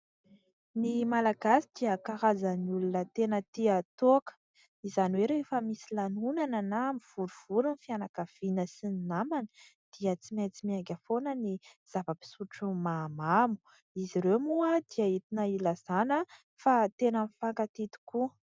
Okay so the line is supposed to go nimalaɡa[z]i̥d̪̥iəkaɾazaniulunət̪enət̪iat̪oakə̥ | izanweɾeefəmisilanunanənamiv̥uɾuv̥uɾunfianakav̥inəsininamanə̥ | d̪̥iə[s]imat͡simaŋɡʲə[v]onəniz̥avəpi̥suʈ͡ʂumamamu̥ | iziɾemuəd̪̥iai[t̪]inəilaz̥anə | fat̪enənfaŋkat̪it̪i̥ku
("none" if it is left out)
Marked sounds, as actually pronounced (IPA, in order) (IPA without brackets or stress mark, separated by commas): s, t͡s, f, t̪